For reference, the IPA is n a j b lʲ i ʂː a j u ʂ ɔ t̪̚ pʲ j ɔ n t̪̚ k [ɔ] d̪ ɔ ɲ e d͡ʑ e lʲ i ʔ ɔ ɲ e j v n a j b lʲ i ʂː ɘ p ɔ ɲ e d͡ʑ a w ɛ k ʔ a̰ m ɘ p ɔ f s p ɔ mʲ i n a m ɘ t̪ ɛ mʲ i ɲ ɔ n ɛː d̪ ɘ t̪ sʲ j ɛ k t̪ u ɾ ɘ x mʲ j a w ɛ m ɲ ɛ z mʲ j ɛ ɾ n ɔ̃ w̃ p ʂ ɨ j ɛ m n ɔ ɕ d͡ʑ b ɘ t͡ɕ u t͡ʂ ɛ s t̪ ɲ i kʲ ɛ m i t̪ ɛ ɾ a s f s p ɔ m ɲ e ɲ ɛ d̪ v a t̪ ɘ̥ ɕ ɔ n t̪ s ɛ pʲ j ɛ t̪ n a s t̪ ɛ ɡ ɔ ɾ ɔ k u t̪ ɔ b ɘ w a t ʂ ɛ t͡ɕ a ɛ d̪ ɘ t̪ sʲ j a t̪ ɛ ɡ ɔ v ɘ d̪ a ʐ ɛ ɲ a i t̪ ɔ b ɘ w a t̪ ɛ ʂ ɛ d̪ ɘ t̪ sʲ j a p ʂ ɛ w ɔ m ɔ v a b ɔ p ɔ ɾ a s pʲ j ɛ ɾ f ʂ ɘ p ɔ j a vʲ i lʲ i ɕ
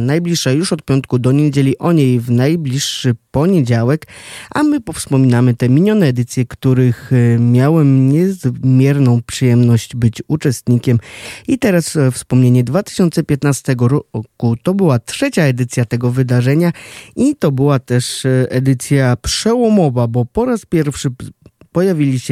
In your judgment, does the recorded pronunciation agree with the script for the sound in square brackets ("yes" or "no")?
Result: no